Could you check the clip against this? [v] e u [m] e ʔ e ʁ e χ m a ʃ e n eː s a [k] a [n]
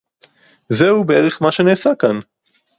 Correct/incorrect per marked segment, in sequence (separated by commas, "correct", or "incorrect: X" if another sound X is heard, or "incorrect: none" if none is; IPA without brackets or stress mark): incorrect: z, incorrect: b, correct, correct